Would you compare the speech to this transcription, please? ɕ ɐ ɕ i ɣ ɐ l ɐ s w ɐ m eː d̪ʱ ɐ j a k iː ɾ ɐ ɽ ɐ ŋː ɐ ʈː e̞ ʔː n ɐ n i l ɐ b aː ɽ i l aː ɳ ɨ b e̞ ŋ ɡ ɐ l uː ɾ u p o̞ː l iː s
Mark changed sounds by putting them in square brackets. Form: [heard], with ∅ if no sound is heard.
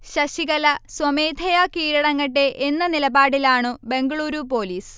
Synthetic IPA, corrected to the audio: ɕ ɐ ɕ i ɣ ɐ l ɐ s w ɐ m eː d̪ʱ ɐ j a k iː ɾ ɐ ɽ ɐ ŋː ɐ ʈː e̞ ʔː [nː] ɐ n i l ɐ b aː ɽ i l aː ɳ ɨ b e̞ ŋ ɡ ɐ [ɭ] uː ɾ u p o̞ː l iː s